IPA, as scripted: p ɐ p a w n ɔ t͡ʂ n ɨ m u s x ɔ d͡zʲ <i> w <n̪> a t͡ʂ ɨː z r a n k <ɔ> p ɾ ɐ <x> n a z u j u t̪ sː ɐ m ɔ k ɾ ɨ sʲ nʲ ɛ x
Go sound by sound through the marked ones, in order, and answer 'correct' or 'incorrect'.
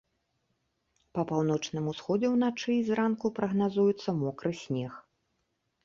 incorrect: ɛ, correct, incorrect: u, incorrect: ɣ

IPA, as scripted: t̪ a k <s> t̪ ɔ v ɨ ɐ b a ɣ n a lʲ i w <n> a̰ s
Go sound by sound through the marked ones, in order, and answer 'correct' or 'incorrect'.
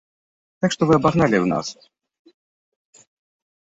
incorrect: ʂ, correct

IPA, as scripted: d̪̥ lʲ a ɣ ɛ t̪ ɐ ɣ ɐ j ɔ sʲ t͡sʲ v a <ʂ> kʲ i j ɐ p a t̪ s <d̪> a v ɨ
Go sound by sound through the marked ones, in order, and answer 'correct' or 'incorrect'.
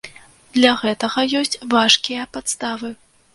correct, incorrect: t̪

